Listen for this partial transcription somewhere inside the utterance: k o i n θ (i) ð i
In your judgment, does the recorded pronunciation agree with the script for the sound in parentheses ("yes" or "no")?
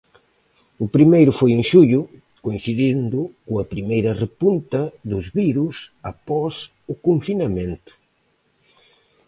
yes